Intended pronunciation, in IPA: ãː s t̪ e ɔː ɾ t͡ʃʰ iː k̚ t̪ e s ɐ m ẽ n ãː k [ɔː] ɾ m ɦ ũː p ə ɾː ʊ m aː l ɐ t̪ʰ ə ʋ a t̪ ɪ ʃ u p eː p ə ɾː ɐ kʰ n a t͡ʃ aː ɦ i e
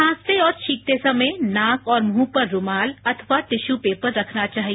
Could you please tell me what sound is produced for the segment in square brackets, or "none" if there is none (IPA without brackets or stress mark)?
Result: ɔː